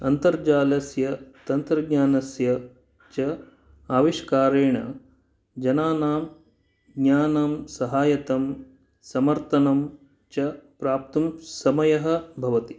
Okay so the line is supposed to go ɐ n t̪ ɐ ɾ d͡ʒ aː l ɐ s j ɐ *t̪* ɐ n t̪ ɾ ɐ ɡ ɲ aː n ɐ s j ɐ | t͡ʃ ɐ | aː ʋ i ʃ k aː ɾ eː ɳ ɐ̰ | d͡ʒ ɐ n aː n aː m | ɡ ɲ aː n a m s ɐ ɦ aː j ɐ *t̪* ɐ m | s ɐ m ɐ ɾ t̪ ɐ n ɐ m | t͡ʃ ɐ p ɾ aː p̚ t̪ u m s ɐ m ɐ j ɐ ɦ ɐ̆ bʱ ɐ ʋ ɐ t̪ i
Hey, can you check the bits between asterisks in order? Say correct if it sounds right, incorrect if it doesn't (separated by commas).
correct, correct